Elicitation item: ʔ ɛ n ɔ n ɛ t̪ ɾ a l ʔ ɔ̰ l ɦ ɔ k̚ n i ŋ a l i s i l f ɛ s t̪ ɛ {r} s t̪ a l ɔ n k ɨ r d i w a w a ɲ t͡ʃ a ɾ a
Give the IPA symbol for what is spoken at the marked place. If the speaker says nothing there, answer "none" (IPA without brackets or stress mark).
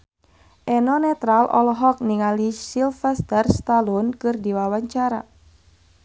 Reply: r